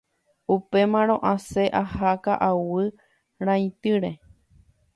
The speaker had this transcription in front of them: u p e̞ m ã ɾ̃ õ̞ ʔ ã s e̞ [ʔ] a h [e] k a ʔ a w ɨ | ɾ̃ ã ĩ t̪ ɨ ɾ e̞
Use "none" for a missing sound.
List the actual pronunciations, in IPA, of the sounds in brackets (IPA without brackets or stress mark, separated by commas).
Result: ʔ, a